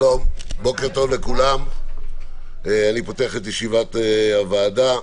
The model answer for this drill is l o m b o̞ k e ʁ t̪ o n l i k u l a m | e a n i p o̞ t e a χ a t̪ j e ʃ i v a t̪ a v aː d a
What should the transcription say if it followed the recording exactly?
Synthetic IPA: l o m b o̞ k e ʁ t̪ o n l e k u l a m | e a n i p o̞ t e a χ e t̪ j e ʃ i v a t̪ a v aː d a